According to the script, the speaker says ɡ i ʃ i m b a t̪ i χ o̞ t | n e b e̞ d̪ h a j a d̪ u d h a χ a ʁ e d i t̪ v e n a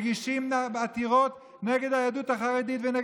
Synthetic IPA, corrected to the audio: ɡ i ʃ i m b a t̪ i ʁ o̞ t | n e ɡ e̞ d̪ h a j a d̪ u t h a χ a ʁ e d i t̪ v e n e